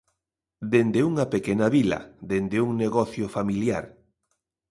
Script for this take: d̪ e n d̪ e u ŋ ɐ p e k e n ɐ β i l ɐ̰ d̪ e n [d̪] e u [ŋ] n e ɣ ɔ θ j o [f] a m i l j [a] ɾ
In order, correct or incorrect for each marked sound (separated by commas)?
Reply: correct, correct, correct, correct